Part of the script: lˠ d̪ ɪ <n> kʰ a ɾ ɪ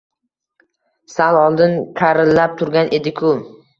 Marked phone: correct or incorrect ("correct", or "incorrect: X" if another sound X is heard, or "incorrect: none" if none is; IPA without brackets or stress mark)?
correct